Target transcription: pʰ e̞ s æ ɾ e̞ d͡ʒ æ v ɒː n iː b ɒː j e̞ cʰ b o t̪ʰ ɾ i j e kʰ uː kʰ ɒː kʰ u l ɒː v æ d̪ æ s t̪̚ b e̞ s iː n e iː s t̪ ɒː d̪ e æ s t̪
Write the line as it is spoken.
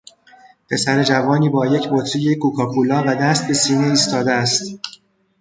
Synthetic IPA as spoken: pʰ e̞ s æ ɾ e̞ d͡ʒ æ v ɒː n iː b ɒː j e̞ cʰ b o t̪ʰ ɾ i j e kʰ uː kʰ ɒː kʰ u l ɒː v æ d̪ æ s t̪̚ b e̞ s iː n e iː s t̪ ɒː d̪ e æ s t̪